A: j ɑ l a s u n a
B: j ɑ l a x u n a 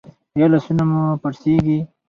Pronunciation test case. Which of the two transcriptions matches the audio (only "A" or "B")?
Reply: A